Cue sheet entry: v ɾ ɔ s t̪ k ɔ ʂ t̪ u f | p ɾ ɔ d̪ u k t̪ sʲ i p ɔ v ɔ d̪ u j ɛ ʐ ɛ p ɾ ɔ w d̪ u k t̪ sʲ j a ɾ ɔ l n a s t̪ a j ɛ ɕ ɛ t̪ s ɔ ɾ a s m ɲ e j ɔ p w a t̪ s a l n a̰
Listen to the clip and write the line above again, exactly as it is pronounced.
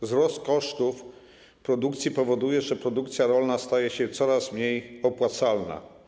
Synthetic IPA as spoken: z ɾ ɔ s t̪ k ɔ ʂ t̪ u f | p ɾ ɔ d̪ u k t̪ sʲ i p ɔ v ɔ d̪ u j ɛ ʐ ɛ p ɾ ɔ d̪ u k t̪ sʲ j a ɾ ɔ l n a s t̪ a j ɛ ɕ ɛ t̪ s ɔ ɾ a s m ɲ e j ɔ p w a t̪ s a l n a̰

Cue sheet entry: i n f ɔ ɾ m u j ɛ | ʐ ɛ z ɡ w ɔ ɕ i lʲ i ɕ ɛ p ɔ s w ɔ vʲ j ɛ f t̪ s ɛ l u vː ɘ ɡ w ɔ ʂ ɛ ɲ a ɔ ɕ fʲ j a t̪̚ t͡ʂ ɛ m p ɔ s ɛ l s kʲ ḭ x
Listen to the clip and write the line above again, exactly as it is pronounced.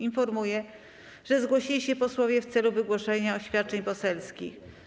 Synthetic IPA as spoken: i n f ɔ ɾ m u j ɛ | ʐ ɛ z ɡ w ɔ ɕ i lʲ i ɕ ɛ p ɔ s w ɔ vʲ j ɛ f t̪ s ɛ l u v ɘ ɡ w ɔ ʂ ɛ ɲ a ɔ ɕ fʲ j a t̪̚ t͡ʂ ɛ ɲ p ɔ s ɛ l s kʲ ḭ x

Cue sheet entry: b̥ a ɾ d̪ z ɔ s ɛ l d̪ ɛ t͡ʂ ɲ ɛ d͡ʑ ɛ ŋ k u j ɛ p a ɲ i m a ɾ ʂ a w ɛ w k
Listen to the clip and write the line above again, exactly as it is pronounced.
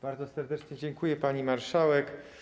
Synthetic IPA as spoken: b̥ a ɾ d̪ z ɔ s ɛ ɾ d̪ ɛ t͡ʂ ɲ ɛ d͡ʑ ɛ ŋ k u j ɛ p a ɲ i m a ɾ ʂ a w ɛ k

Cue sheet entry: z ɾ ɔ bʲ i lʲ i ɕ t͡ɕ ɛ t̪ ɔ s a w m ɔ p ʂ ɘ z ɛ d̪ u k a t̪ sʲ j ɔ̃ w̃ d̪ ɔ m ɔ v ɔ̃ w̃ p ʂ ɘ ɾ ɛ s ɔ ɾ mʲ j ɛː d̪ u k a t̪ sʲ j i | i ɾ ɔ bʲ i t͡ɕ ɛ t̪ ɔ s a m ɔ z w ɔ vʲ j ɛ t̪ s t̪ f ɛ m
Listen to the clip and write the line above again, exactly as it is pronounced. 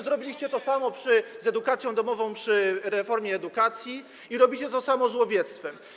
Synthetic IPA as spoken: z ɾ ɔ bʲ i lʲ i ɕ t͡ɕ ɛ t̪ ɔ s a m ɔ p ʂ ɘ z ɛ d̪ u k a t̪ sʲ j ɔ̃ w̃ d̪ ɔ m ɔ v ɔ̃ w̃ p ʂ ɘ ɾ ɛ f ɔ ɾ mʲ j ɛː d̪ u k a t̪ sʲ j i | i ɾ ɔ bʲ i t͡ɕ ɛ t̪ ɔ s a m ɔ z w ɔ vʲ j ɛ t̪ s t̪ f ɛ m

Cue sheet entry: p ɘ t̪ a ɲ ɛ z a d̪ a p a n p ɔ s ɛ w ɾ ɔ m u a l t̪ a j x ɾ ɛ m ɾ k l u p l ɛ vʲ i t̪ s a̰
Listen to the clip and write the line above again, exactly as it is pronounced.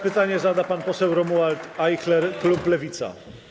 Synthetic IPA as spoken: p ɘ t̪ a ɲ ɛ z a d̪ a p a n p ɔ s ɛ w ɾ ɔ m u a l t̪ a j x l ɛ ɾ k l u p l ɛ vʲ i t̪ s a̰

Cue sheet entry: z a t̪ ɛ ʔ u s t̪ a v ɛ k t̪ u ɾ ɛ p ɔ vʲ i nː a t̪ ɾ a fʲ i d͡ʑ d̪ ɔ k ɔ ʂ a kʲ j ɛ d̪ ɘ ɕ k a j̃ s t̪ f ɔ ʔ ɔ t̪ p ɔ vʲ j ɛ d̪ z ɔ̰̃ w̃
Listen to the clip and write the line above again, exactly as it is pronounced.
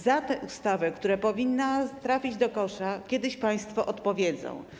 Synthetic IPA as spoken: z a t̪ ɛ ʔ u s t̪ a v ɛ k t̪ u ɾ ɛ p ɔ vʲ i nː a t̪ ɾ a fʲ i d͡ʑ d̪ ɔ k ɔ ʂ a kʲ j ɛ d̪ ɘ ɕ p a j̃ s t̪ f ɔ ʔ ɔ t̪ p ɔ vʲ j ɛ d̪ z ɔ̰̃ w̃

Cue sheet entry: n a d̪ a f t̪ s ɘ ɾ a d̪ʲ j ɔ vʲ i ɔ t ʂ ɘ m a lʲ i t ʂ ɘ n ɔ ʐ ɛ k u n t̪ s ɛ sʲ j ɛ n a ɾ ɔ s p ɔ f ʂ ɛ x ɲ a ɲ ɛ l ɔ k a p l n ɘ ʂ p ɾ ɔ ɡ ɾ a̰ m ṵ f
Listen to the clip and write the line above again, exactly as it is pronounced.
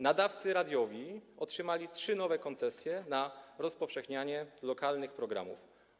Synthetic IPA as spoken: n a d̪ a f t̪ s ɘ ɾ a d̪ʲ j ɔ vʲ i ɔ t ʂ ɘ m a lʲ i t ʂ ɘ n ɔ v ɛ k ɔ n t̪ s ɛ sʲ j ɛ n a ɾ ɔ s p ɔ f ʂ ɛ x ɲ a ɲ ɛ l ɔ k a l n ɘ x p ɾ ɔ ɡ ɾ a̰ m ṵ f

